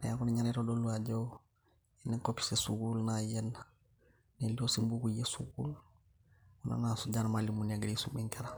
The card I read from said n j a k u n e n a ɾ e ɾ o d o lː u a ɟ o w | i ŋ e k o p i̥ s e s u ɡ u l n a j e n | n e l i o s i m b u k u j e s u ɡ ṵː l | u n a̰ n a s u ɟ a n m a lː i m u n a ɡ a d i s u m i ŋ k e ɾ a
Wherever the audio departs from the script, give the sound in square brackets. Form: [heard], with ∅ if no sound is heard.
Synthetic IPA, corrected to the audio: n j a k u n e [ɲ] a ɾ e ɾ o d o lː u a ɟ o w | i [n] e k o p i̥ s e s u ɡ u l n a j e n | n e l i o s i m b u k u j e s u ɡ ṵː l | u n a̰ n a s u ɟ a n m a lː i m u n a ɡ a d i s u m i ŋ k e ɾ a